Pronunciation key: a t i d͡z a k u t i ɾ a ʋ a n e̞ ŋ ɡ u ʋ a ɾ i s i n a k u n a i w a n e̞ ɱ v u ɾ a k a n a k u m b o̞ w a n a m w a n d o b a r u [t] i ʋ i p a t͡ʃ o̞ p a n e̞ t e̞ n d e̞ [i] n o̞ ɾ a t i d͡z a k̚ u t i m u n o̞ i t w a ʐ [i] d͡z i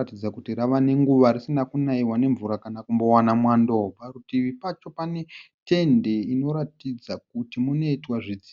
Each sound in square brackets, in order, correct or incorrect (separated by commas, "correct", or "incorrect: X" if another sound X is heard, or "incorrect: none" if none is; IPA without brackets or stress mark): correct, correct, correct